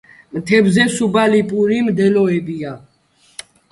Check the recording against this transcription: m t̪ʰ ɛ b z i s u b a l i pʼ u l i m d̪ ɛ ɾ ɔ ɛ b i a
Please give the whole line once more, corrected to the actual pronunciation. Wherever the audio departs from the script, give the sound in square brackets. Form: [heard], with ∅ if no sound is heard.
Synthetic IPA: m t̪ʰ ɛ b z [ɛ] s u b a l i pʼ u [ɾ] i m d̪ ɛ [l] ɔ ɛ b i a